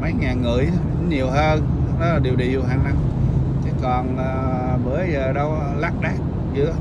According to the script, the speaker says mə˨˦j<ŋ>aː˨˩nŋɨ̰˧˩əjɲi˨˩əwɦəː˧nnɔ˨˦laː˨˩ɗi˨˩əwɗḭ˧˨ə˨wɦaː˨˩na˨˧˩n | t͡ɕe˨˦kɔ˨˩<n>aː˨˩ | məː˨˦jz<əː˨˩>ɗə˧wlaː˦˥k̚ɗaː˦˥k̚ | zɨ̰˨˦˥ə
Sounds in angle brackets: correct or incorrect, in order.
correct, correct, correct

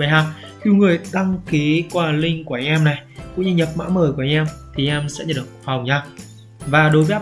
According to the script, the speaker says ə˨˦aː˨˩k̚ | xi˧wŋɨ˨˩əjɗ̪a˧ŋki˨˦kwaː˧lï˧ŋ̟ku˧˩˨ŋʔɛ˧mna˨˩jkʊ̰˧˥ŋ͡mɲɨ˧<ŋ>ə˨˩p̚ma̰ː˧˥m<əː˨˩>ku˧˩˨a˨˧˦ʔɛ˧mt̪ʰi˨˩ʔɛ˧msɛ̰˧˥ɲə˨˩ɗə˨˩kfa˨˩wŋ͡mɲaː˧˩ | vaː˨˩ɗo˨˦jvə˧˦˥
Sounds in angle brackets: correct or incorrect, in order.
incorrect: ɲ, correct

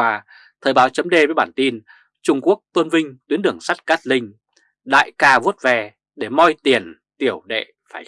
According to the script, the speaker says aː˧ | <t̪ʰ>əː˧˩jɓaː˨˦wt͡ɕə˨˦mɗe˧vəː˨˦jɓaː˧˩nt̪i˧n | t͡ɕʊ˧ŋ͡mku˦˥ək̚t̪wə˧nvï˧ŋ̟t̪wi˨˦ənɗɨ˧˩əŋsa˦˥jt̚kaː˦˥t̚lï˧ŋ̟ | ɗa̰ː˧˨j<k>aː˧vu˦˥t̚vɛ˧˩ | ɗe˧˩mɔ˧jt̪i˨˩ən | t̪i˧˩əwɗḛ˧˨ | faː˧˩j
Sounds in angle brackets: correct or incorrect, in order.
correct, correct

